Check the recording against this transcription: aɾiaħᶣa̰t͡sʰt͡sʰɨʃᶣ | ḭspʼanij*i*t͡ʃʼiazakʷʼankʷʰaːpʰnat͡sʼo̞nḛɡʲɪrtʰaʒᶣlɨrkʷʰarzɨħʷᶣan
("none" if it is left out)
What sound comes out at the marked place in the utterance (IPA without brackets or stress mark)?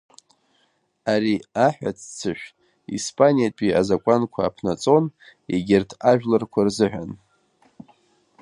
a